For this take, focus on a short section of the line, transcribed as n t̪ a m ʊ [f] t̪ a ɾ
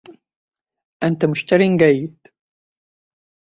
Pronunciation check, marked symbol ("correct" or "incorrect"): incorrect